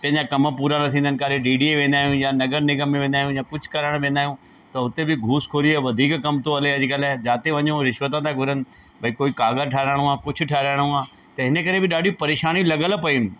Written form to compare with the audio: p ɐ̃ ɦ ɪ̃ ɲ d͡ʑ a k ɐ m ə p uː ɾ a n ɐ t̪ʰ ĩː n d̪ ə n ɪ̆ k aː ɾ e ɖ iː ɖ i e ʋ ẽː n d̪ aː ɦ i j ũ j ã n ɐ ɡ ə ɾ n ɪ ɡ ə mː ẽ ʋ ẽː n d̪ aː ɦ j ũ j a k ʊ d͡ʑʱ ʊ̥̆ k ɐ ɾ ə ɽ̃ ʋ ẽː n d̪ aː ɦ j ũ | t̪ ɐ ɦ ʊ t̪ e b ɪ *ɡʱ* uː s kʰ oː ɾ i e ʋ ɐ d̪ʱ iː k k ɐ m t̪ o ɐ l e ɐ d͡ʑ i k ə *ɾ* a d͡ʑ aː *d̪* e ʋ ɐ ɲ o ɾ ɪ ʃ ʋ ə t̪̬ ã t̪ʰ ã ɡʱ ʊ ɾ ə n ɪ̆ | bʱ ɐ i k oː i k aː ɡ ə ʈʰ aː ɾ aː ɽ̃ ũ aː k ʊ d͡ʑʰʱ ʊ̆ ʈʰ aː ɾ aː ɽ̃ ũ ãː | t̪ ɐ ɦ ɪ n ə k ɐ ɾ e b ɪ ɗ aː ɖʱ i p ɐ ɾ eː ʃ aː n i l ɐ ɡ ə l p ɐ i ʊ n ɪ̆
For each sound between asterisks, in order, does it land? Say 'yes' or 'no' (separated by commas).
yes, no, no